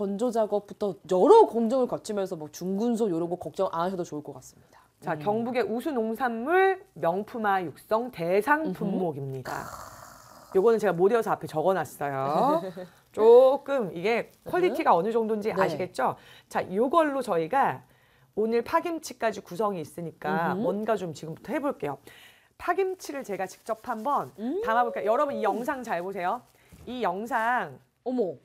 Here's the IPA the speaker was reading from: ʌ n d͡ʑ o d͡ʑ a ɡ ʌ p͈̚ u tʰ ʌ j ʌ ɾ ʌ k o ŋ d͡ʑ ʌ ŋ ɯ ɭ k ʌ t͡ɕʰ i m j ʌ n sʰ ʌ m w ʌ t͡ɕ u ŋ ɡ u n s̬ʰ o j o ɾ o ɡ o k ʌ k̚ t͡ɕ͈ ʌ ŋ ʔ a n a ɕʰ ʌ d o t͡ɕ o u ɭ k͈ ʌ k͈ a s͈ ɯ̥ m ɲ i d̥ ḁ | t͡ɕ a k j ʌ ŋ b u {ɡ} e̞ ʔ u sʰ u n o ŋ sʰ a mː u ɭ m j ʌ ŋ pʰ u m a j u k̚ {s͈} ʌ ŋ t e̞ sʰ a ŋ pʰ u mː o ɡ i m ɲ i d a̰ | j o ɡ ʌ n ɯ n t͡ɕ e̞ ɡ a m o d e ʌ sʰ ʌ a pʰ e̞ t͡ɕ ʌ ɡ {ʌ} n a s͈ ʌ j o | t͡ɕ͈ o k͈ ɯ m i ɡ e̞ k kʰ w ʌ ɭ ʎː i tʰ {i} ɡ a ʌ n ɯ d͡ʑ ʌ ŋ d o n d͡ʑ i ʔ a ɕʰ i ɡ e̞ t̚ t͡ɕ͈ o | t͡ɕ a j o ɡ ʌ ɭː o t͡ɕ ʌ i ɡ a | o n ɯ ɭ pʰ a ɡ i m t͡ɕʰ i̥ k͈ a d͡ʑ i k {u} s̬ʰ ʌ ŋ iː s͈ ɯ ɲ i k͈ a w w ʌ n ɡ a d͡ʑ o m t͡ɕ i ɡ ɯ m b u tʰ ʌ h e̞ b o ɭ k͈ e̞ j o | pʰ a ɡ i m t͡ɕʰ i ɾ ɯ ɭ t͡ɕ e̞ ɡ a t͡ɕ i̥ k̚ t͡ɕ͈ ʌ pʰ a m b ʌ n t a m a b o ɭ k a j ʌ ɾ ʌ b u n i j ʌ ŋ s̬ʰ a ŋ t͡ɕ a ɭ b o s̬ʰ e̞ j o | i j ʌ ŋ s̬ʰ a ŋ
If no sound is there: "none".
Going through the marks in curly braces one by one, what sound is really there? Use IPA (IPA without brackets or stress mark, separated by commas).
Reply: ɡ, s͈, ʌ, i, u